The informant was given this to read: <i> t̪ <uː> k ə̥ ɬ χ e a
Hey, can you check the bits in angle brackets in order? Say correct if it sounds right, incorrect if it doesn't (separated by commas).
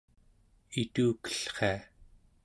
correct, correct